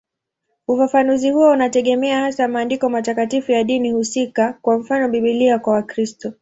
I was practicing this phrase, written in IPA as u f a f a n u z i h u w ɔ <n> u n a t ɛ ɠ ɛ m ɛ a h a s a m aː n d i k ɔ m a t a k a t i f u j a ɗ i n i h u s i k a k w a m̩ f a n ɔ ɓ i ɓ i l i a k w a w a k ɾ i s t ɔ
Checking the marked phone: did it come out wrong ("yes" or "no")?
yes